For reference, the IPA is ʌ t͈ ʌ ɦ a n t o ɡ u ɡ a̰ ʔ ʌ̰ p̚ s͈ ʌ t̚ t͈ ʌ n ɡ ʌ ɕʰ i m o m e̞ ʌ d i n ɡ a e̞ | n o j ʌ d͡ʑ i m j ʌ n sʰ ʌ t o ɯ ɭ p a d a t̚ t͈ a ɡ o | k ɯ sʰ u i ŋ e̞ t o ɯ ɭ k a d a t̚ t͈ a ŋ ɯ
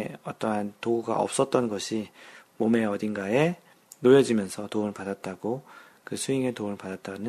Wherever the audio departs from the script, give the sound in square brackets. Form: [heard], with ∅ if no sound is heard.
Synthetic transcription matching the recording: ʌ t͈ ʌ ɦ a n t o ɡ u ɡ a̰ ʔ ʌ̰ p̚ s͈ ʌ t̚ t͈ ʌ n ɡ ʌ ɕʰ i m o m e̞ ʌ d i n ɡ a e̞ | n o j ʌ d͡ʑ i m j ʌ n sʰ ʌ t o ɯ ɭ p a d a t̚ t͈ a ɡ o | k ɯ sʰ u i ŋ e̞ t o ɯ ɭ [p] a d a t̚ t͈ a [n] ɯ